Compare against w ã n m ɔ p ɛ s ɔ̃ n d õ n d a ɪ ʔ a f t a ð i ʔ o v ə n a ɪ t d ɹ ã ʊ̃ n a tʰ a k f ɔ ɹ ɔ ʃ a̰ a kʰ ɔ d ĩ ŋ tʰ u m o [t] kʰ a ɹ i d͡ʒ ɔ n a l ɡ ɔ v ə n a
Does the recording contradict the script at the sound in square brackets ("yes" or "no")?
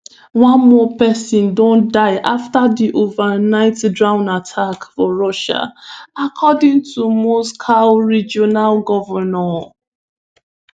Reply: yes